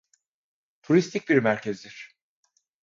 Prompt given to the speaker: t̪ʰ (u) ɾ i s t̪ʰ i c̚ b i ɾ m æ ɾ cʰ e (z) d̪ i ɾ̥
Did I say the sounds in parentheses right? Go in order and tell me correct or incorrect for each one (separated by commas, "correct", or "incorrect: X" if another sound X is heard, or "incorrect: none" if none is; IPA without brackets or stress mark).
correct, correct